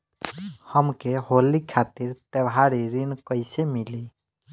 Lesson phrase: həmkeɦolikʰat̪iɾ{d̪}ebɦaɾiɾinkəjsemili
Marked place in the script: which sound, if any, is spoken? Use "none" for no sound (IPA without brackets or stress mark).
t̪